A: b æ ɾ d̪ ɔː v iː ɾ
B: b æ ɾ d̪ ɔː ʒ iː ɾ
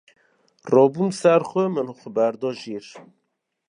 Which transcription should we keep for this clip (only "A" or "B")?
B